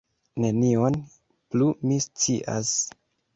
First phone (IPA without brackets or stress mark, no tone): n